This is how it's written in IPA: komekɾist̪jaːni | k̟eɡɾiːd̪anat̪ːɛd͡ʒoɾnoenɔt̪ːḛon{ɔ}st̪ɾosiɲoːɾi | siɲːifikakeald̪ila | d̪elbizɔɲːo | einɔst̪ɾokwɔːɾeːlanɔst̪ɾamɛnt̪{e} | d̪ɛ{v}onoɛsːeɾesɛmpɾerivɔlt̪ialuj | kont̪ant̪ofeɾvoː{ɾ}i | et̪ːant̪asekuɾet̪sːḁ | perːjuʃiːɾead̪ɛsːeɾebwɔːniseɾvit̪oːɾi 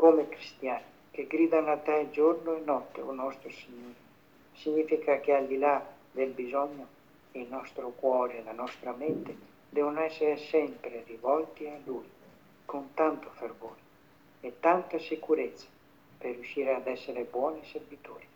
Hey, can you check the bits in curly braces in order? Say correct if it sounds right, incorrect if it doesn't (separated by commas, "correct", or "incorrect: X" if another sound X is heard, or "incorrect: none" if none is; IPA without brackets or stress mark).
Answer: correct, correct, correct, correct